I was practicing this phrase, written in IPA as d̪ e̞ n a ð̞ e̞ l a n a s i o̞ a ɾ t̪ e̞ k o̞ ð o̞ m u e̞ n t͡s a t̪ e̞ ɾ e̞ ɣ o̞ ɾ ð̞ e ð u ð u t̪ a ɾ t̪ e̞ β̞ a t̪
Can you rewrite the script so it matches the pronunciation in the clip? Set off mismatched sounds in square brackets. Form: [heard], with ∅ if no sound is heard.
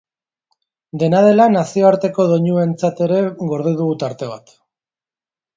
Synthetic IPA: d̪ e̞ n a ð̞ e̞ l a n a s i o̞ a ɾ t̪ e̞ k o̞ ð o̞ [ɲ] u e̞ n t͡s a t̪ e̞ ɾ e̞ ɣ o̞ ɾ ð̞ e ð u [ɣ] u t̪ a ɾ t̪ e̞ β̞ a t̪